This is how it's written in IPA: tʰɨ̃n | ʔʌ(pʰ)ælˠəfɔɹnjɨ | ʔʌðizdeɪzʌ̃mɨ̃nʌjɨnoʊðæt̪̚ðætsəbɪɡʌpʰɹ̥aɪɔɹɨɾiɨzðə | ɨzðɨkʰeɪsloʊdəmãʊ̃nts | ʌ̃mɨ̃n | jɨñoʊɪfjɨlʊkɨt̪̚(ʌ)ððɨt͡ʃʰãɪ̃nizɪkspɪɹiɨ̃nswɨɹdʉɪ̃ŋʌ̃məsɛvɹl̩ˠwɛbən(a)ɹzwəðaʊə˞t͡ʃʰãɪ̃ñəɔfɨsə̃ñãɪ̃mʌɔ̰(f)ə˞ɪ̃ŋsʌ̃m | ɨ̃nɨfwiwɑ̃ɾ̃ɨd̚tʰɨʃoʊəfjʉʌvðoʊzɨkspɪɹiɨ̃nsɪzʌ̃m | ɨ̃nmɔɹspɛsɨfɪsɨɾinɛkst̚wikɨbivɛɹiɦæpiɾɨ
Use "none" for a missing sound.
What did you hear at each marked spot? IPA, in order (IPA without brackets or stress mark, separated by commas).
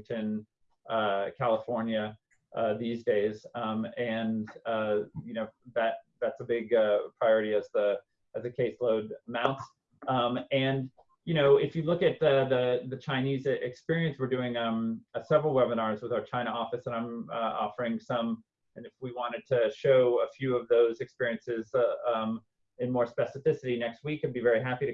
kʰ, ʌ, ɑ, f